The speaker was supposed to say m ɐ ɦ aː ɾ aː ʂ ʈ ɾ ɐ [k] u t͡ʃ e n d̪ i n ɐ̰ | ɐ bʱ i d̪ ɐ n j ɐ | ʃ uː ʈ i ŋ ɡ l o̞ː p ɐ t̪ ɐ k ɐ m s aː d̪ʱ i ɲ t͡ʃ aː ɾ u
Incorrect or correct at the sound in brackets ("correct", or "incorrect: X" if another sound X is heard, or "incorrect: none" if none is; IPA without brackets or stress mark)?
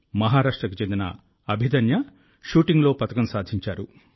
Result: correct